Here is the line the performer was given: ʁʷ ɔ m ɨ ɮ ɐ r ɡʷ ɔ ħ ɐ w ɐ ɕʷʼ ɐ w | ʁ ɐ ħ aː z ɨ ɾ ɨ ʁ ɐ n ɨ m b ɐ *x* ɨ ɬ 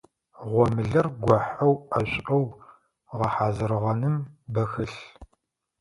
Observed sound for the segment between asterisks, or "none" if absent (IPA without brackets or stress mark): x